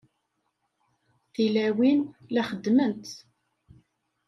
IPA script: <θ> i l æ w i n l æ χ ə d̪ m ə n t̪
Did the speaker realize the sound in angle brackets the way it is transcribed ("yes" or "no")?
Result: yes